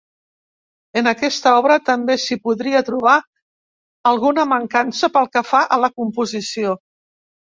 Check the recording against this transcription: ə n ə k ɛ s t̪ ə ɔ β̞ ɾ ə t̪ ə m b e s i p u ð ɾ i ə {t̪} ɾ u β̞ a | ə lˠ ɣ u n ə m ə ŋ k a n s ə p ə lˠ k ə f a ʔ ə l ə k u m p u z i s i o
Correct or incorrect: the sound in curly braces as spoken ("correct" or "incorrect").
correct